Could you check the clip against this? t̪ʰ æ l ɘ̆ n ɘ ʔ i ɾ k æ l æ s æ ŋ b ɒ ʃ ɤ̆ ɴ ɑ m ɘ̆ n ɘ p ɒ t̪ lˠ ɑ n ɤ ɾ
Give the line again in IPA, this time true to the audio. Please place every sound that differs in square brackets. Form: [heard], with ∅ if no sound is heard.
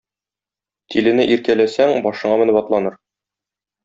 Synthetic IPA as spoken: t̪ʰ [i] l ɘ̆ n ɘ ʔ i ɾ k æ l æ s æ ŋ b ɒ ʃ ɤ̆ ɴ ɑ m ɘ̆ n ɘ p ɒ t̪ lˠ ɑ n ɤ ɾ